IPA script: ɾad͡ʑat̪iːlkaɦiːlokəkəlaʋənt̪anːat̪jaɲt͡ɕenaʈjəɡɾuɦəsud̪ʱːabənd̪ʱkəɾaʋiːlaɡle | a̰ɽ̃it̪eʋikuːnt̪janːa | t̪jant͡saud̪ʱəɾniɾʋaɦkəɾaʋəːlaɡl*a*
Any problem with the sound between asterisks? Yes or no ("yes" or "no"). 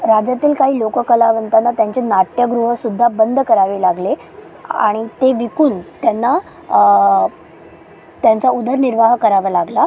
no